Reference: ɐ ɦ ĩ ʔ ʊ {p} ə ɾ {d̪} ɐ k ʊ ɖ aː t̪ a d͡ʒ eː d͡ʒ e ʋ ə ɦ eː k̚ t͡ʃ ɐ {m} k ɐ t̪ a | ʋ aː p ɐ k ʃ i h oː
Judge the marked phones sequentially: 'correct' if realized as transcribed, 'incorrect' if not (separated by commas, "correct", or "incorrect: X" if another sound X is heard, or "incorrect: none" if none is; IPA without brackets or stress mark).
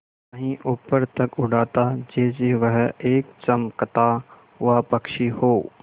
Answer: correct, incorrect: t̪, correct